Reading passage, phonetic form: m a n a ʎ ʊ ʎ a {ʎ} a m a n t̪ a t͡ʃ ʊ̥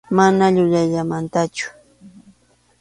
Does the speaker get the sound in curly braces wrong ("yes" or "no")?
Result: no